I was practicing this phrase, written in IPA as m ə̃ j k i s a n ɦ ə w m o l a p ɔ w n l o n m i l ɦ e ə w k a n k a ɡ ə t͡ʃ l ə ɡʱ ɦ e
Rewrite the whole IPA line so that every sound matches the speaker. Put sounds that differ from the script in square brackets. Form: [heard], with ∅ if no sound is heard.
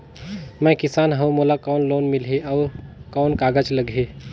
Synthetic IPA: m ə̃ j k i s a n ɦ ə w m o l a [k] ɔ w n l o n m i l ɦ e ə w k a n k a ɡ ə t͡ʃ l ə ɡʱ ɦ e